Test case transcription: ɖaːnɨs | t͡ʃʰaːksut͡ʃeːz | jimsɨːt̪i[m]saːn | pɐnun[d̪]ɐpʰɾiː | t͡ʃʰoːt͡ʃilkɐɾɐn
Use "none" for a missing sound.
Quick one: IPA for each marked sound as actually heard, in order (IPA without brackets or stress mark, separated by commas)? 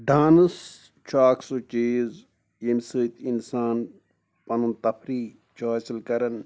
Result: n, t̪